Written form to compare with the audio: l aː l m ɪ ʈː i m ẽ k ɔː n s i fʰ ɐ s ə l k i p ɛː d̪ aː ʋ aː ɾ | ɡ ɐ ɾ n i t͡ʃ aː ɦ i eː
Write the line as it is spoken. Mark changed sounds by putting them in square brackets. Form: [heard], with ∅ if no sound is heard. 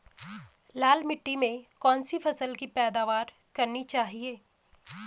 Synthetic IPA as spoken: l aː l m ɪ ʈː i m ẽ k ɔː n s i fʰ ɐ s ə l k i p ɛː d̪ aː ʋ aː ɾ | [k] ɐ ɾ n i t͡ʃ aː ɦ i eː